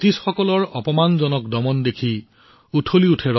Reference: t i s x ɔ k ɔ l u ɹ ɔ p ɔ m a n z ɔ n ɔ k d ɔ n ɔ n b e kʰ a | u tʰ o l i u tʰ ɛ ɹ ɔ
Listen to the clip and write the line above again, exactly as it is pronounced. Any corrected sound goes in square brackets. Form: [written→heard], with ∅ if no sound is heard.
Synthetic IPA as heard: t i s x ɔ k ɔ l [u→ɔ] ɹ ɔ p ɔ m a n z ɔ n ɔ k d ɔ [n→m] ɔ n [b→d] e kʰ [a→i] | u tʰ o l i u tʰ ɛ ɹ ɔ